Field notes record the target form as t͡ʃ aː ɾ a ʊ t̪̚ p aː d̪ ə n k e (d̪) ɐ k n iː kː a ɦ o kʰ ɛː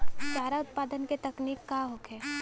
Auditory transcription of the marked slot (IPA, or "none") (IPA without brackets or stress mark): t̪